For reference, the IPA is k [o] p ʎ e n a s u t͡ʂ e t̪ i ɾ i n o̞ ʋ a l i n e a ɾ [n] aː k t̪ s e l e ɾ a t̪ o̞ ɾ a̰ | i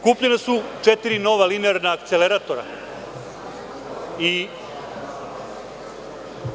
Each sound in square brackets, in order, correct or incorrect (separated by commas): incorrect, correct